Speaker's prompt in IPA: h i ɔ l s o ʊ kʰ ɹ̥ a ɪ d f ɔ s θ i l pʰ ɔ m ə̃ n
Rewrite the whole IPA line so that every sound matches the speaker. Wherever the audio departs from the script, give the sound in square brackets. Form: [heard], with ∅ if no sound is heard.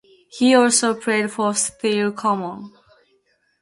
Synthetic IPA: h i ɔ l s o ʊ [pʰ] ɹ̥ [e] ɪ d f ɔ s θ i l [kʰ] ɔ m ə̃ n